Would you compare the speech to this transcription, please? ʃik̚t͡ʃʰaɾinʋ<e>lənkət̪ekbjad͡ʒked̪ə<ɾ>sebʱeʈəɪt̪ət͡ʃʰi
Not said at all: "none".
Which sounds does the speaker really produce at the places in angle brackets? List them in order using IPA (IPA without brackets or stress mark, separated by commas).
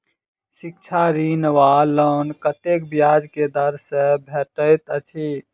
a, ɾ